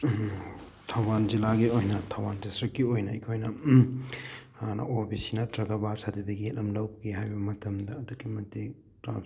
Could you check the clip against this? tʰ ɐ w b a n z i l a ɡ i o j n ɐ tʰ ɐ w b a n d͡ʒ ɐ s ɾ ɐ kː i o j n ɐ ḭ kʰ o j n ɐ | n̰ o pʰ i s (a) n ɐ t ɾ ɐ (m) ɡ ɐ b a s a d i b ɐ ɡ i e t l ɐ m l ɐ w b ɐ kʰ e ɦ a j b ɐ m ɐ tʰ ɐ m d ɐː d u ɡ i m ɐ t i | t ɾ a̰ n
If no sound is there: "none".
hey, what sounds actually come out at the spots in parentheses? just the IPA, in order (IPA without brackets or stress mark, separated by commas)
i, none